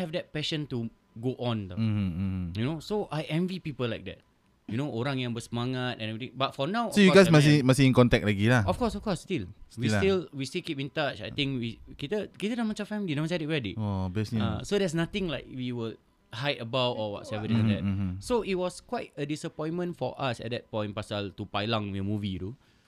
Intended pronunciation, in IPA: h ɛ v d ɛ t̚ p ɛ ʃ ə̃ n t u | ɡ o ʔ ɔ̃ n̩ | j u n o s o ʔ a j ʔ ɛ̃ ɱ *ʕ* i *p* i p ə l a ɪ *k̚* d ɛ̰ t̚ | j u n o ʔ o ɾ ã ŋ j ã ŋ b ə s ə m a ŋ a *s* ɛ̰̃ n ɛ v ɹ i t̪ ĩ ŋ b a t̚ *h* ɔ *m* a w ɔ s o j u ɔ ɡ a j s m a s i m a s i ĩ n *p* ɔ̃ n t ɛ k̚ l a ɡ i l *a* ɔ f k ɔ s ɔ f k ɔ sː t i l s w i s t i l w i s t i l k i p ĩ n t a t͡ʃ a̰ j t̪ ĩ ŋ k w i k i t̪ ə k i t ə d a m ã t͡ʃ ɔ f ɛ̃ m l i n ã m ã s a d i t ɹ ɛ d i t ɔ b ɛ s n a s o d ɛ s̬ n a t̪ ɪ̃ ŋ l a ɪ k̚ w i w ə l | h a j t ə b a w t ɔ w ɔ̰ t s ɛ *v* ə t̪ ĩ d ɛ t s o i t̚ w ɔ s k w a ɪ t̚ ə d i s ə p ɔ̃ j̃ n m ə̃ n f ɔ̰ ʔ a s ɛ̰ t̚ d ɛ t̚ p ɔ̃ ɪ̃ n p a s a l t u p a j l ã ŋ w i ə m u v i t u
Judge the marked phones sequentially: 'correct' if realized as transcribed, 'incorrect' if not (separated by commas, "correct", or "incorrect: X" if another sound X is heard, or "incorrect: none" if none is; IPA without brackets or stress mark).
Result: incorrect: v, correct, correct, incorrect: t, incorrect: f, incorrect: n, incorrect: k, correct, correct